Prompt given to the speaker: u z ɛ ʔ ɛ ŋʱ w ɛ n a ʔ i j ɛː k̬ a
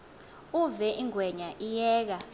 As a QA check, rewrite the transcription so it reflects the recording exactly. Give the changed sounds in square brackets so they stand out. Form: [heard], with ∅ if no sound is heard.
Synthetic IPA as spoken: u [v] ɛ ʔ [i] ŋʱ w ɛ [ɲ] a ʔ i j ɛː k̬ a